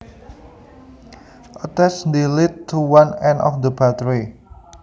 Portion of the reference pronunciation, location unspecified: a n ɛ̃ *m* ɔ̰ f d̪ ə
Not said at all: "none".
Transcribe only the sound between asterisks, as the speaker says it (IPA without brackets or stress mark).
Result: n